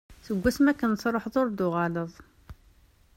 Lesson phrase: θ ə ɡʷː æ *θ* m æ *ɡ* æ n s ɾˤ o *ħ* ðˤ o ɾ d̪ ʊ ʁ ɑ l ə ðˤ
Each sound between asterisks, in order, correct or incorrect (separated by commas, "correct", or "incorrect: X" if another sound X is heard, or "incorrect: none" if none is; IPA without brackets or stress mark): incorrect: s, incorrect: k, correct